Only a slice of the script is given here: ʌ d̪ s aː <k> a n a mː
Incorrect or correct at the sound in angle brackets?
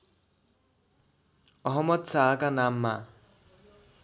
correct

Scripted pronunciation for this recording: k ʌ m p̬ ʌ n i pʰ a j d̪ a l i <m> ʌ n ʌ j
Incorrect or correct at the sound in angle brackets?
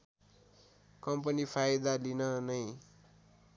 incorrect: n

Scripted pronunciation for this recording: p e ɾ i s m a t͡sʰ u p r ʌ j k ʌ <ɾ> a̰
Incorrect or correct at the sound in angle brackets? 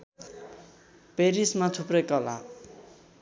incorrect: l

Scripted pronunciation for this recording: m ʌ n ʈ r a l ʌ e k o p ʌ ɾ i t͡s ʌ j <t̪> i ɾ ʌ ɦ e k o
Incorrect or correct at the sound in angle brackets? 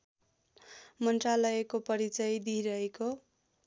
incorrect: d̪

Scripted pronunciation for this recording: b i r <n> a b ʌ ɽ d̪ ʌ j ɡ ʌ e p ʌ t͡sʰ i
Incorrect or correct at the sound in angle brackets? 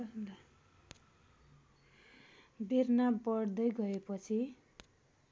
correct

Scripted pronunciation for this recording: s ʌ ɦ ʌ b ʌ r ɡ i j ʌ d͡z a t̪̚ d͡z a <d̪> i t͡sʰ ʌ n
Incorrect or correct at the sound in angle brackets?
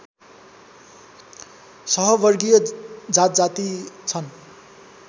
incorrect: t̪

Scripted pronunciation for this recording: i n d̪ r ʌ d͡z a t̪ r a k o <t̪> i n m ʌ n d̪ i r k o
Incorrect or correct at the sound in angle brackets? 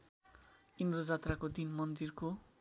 incorrect: d̪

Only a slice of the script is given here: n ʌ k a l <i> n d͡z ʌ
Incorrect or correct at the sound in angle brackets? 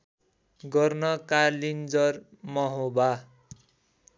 correct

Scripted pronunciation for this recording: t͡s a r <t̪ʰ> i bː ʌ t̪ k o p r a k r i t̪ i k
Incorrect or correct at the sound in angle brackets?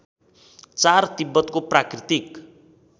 incorrect: t̪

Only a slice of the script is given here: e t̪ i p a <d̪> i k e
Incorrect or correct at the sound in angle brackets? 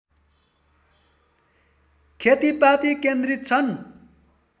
incorrect: t̪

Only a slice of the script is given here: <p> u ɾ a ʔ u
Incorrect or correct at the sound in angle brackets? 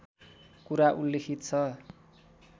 incorrect: k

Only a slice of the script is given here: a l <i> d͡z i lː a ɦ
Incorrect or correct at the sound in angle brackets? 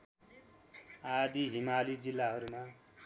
correct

